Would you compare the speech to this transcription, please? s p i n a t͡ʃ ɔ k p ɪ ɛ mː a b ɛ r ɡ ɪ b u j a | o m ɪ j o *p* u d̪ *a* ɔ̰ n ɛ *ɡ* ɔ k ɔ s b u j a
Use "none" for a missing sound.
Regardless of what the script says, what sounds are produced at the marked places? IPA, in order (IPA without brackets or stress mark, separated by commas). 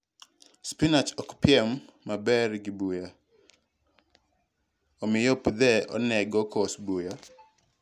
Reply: p, ɛ, ɡ